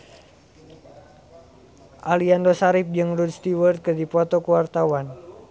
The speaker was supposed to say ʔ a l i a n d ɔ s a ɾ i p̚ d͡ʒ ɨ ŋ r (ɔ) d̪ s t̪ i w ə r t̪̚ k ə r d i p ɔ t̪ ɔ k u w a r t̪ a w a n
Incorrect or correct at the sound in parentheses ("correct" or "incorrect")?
incorrect